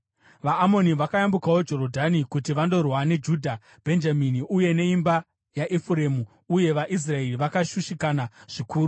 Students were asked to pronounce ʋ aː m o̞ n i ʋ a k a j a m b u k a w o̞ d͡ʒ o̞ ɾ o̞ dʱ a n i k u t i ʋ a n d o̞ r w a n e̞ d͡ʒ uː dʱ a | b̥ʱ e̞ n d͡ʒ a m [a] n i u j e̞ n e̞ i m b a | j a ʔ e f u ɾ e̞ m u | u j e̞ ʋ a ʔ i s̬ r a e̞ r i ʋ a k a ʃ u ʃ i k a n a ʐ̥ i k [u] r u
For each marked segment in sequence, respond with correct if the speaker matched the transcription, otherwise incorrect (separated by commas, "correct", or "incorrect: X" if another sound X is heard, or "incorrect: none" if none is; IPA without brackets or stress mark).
incorrect: i, incorrect: uː